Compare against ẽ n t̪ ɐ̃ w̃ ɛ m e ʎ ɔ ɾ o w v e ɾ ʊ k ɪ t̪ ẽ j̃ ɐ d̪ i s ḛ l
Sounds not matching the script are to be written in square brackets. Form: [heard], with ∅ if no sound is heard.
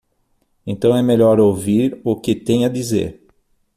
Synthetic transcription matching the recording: ẽ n t̪ ɐ̃ w̃ ɛ m e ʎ ɔ ɾ o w v [i] ɾ ʊ k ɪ t̪ ẽ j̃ ɐ d̪ i [z] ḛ [ɾ]